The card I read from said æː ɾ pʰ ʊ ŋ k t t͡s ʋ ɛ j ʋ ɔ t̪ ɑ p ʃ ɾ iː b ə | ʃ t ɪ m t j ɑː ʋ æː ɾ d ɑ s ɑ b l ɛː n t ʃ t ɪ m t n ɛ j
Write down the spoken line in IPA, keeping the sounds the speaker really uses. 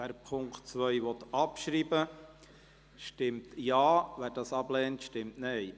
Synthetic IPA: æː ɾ pʰ ʊ ŋ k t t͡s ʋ œ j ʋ ɔ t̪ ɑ p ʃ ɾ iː b ə | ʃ t ɪ m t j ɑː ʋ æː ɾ d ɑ s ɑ b l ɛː n t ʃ t ɪ m t n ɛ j